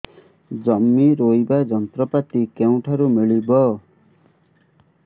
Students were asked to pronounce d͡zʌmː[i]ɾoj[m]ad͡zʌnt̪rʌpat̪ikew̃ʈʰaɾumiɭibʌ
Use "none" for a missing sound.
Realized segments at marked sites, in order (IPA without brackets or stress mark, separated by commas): i, b